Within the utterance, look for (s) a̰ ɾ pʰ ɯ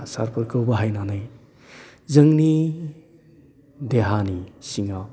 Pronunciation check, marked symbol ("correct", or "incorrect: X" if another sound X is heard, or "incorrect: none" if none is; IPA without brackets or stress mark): correct